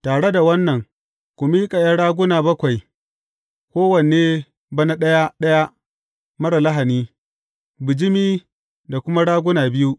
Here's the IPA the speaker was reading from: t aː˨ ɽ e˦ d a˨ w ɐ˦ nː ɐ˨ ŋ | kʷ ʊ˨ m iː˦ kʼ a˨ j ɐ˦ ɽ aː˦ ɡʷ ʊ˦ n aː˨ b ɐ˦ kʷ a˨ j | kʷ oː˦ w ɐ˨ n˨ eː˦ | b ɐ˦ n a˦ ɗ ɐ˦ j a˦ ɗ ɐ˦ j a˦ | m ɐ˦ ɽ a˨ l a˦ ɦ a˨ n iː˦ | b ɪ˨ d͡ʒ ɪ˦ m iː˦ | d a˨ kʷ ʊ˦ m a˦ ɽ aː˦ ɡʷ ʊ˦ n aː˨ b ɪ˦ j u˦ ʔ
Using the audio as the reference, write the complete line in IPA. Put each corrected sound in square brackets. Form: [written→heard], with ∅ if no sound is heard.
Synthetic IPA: t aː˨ ɽ e˦ d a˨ w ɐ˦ nː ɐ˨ ŋ | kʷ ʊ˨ m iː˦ kʼ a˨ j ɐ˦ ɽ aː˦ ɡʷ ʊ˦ n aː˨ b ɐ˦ kʷ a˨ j | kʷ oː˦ w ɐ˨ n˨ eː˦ | b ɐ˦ n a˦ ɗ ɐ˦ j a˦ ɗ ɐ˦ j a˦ | m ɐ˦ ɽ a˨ l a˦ ɦ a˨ n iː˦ | b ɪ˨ d͡ʒ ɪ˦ m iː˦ | d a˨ kʷ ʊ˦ m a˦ ɽ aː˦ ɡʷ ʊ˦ n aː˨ b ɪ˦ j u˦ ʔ